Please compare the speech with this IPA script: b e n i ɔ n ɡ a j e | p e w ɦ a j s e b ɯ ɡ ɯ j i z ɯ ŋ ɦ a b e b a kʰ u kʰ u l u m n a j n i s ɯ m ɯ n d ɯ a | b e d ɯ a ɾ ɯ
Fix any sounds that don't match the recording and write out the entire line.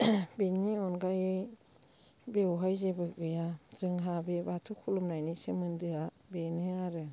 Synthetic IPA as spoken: b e n i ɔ n ɡ a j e | b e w ɦ a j z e b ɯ ɡ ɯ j a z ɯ ŋ ɦ a b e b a tʰ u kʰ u l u m n a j n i s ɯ m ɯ n d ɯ a | b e n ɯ a ɾ ɯ